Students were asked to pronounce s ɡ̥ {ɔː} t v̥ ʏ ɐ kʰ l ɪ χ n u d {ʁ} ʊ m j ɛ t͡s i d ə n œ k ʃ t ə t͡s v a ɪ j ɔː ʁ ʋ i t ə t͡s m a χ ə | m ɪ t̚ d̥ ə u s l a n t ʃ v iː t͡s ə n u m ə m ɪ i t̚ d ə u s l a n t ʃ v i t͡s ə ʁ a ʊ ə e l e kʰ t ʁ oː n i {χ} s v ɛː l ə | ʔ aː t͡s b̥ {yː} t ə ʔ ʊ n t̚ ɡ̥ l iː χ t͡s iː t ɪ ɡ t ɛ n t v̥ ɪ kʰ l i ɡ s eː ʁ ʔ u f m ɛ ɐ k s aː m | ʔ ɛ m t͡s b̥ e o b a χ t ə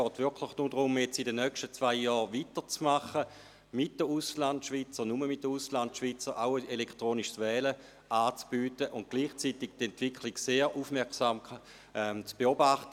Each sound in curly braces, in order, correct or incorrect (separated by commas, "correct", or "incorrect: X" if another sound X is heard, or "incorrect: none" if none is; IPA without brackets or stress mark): correct, correct, incorrect: ʃ, correct